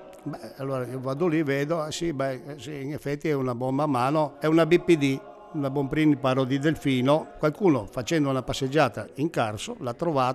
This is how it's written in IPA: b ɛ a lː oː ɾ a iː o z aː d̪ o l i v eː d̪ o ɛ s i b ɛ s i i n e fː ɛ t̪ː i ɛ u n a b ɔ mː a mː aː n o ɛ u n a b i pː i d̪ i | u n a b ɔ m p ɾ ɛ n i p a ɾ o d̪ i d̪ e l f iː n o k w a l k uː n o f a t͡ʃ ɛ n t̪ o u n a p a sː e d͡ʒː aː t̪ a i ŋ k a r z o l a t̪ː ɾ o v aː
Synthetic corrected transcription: b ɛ a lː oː ɾ a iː o v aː d̪ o l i v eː d̪ o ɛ s i b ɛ s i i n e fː ɛ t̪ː i ɛ u n a b ɔ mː a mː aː n o ɛ u n a b i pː i d̪ i | u n a b ɔ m p ɾ i n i p a ɾ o d̪ i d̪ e l f iː n o k w a l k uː n o f a t͡ʃ ɛ n d̪ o u n a p a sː e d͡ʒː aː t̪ a i ŋ k a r s o l a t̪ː ɾ o v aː